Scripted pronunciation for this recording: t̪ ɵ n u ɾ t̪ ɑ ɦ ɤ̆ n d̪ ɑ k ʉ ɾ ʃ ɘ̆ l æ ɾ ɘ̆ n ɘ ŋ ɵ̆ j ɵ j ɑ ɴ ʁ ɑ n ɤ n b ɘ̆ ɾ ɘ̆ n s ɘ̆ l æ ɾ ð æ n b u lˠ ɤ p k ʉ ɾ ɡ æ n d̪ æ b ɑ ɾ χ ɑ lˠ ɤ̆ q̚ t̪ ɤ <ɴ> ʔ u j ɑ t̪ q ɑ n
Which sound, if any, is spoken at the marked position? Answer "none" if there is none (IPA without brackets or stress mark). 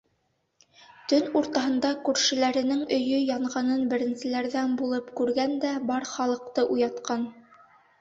none